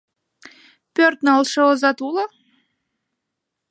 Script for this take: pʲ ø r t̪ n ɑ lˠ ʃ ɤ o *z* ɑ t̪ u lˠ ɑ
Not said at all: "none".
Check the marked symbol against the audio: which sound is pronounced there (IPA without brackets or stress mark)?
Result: z